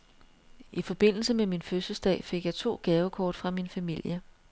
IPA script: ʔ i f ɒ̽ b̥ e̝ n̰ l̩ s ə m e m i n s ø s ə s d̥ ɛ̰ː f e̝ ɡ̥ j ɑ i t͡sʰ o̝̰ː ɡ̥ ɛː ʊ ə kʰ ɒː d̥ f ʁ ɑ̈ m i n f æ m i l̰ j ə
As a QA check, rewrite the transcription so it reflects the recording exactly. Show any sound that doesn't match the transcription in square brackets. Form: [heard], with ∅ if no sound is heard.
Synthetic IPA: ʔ i f ɒ̽ b̥ e̝ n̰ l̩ s ə m e m i n [f] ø s ə s d̥ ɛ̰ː f e̝ ɡ̥ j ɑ [ɪ] t͡sʰ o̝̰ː ɡ̥ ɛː ʊ ə kʰ ɒː d̥ f ʁ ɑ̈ m i n f æ m i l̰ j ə